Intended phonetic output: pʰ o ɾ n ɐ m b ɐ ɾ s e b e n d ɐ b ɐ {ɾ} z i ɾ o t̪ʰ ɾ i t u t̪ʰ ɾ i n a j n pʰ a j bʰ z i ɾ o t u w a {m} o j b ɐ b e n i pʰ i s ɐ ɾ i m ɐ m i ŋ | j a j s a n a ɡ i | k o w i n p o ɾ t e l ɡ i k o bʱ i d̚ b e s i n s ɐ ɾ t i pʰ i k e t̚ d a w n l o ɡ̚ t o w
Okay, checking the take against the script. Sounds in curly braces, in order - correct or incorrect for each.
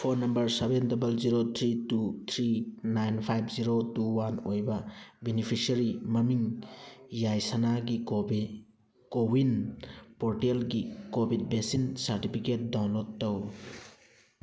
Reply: incorrect: l, incorrect: n

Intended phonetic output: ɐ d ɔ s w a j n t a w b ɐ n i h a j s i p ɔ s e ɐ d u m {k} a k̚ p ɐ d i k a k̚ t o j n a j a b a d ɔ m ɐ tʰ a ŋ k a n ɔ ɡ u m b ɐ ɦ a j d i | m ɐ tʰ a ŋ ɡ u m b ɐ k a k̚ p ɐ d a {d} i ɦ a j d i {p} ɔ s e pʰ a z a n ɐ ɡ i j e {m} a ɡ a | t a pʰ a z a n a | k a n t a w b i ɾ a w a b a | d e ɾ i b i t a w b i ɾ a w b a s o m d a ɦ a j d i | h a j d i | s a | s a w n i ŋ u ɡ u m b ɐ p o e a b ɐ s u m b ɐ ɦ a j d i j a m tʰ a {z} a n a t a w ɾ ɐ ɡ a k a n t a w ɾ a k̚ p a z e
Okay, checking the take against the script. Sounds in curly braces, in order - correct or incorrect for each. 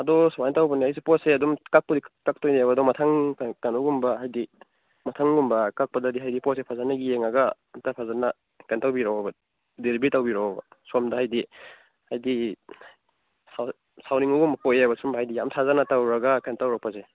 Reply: correct, correct, correct, incorrect: ŋ, correct

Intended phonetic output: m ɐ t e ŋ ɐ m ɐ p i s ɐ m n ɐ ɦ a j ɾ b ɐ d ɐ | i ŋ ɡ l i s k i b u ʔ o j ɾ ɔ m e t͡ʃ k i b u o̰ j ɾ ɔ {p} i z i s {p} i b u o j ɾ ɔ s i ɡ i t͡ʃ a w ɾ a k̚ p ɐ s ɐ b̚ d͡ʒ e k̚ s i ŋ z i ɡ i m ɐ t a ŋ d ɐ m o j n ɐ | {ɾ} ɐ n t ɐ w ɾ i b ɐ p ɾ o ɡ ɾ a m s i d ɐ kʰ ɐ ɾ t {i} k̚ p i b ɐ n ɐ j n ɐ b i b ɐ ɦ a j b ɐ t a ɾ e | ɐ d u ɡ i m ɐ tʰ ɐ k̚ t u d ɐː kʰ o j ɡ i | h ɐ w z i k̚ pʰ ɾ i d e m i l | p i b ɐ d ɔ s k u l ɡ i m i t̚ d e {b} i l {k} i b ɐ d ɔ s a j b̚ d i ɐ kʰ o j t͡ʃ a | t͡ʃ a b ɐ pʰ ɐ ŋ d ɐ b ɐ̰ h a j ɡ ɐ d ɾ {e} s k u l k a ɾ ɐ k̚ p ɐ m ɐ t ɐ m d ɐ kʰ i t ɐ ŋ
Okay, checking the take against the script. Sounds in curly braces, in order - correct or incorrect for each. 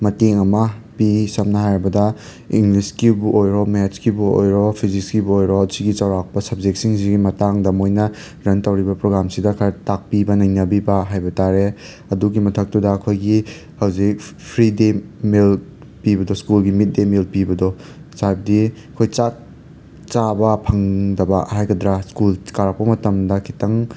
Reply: incorrect: pʰ, incorrect: k, correct, incorrect: a, incorrect: m, incorrect: p, incorrect: a

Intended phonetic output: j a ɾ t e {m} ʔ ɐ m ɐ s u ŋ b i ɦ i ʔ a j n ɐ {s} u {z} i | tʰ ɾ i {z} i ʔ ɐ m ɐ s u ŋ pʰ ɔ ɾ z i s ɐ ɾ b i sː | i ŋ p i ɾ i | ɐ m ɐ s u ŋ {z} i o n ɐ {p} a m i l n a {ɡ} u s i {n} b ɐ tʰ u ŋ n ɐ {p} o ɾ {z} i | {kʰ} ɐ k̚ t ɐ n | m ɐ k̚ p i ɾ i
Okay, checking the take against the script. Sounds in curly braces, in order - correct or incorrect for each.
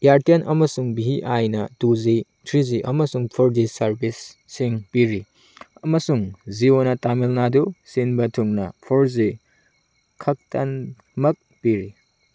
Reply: incorrect: n, incorrect: t, correct, correct, correct, incorrect: t, incorrect: d, correct, incorrect: pʰ, correct, correct

